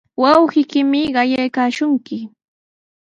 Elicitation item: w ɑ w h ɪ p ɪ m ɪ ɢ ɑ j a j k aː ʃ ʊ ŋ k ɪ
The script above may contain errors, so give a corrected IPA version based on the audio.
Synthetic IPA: w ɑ w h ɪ k ɪ m ɪ ɢ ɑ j a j k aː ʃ ʊ ŋ k ɪ